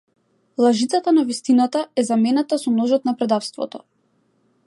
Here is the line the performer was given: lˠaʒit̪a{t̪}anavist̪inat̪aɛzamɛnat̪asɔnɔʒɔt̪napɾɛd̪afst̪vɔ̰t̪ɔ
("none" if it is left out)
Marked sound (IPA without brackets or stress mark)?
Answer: t̪